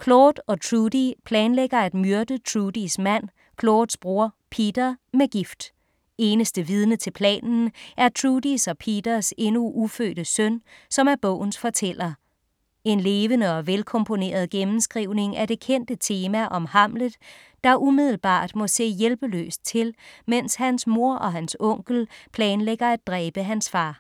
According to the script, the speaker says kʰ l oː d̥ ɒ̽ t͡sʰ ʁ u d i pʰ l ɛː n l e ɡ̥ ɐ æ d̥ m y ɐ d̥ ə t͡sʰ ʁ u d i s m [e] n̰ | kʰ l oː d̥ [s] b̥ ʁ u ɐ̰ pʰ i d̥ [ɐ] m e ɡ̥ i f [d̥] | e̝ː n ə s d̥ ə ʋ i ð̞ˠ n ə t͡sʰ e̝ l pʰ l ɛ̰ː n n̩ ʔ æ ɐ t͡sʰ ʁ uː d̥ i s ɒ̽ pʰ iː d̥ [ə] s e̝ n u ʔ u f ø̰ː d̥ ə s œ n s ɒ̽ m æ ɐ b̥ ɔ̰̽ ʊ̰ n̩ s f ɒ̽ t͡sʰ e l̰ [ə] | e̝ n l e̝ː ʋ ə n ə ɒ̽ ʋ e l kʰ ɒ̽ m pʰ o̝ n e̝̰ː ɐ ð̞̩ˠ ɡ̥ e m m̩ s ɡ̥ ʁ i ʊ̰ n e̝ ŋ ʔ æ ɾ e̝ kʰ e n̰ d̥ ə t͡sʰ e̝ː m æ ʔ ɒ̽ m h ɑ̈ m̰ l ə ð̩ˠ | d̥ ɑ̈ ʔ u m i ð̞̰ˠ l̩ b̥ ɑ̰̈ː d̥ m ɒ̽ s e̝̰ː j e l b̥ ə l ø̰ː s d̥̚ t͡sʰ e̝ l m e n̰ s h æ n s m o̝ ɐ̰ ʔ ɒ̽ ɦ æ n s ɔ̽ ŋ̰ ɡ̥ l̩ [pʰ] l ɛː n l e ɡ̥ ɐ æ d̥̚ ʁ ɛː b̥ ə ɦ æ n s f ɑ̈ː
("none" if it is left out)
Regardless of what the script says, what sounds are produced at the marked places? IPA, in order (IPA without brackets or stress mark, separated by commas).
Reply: æ, s, ɐ, d̥, ɐ, ɐ, pʰ